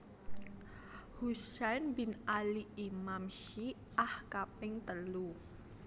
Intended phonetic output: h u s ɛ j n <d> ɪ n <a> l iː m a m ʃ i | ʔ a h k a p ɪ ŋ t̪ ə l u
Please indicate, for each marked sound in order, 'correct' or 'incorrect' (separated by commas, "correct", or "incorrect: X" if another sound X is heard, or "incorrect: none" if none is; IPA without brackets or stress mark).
incorrect: b, correct